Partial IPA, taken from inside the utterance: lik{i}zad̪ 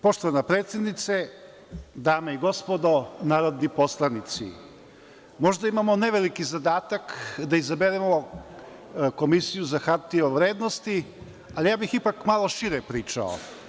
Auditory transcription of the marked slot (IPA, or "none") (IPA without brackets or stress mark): i